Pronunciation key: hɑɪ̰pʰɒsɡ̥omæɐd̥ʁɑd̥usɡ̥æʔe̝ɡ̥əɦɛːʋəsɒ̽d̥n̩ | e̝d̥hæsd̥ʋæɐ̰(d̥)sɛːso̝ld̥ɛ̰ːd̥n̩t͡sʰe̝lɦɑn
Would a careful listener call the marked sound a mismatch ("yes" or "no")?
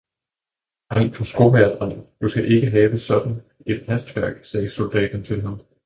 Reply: yes